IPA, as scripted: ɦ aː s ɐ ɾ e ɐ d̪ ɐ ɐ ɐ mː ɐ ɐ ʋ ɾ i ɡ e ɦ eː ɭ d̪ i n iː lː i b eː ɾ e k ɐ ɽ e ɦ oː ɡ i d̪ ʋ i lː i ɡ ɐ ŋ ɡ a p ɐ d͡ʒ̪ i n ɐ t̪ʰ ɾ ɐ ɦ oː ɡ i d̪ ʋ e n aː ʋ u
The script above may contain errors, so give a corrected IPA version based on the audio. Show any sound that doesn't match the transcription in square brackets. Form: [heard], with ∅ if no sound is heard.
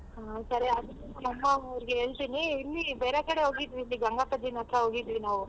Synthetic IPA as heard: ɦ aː s ɐ ɾ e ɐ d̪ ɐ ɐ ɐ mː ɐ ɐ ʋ ɾ i ɡ e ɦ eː ɭ [t̪] i n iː lː i b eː ɾ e k ɐ ɽ e ɦ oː ɡ i d̪ ʋ i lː i ɡ ɐ ŋ ɡ a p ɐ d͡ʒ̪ i n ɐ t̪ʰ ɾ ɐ ɦ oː ɡ i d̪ ʋ [i] n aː ʋ u